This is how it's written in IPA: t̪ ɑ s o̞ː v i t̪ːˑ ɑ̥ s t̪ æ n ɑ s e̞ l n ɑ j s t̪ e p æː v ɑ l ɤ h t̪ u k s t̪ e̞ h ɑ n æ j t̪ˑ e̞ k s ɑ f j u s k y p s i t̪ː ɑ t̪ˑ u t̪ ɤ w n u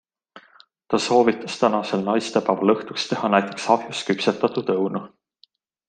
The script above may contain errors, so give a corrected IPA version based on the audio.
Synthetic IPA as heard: t̪ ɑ s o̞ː v i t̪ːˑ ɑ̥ s t̪ æ n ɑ s e̞ l n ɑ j s t̪ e p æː v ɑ l ɤ h t̪ u k s t̪ e̞ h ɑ n æ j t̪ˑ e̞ k s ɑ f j u s k y p s e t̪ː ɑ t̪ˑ u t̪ ɤ w n u